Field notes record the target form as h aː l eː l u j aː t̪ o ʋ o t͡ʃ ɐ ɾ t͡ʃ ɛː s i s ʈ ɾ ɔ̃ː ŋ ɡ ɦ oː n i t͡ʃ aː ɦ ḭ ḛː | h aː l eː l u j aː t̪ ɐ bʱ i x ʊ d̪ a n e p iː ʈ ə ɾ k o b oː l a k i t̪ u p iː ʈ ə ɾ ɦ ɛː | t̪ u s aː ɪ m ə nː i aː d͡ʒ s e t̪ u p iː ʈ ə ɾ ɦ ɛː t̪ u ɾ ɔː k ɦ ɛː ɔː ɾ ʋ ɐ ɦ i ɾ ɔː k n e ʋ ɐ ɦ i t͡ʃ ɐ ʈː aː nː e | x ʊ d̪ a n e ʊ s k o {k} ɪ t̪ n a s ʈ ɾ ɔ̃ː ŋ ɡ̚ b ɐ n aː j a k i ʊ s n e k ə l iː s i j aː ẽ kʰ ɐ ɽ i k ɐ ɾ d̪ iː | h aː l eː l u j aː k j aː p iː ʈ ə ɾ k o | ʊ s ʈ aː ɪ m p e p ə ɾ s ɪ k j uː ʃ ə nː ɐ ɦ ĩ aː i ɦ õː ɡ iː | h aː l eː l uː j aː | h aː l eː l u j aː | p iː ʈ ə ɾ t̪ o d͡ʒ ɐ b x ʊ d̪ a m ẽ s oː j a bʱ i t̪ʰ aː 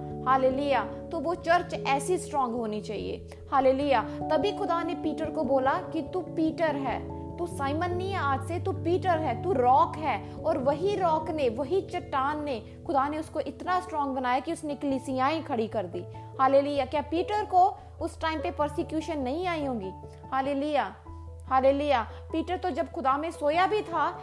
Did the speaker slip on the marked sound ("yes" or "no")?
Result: yes